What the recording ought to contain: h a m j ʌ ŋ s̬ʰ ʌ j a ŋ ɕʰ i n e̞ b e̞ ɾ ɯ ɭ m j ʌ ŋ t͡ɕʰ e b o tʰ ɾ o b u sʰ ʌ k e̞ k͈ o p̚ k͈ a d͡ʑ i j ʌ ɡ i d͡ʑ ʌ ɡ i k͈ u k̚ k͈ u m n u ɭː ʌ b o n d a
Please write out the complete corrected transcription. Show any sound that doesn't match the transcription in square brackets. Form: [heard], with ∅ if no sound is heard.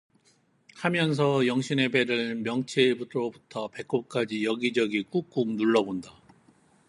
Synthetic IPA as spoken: h a m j ʌ [n] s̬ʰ ʌ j [ʌ] ŋ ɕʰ i n e̞ b e̞ ɾ ɯ ɭ m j ʌ ŋ t͡ɕʰ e b [u] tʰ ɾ o b u [tʰ] ʌ [p] e̞ k͈ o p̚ k͈ a d͡ʑ i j ʌ ɡ i d͡ʑ ʌ ɡ i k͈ u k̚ k͈ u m n u ɭː ʌ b o n d a